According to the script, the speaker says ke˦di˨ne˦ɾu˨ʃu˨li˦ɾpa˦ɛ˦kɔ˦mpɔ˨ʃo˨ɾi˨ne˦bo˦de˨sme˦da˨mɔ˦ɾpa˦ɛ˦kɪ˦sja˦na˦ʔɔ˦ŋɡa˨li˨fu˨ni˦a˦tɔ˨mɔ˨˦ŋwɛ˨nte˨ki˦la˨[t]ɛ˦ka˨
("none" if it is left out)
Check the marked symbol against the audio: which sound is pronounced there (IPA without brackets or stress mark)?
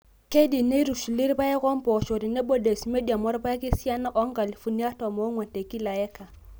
none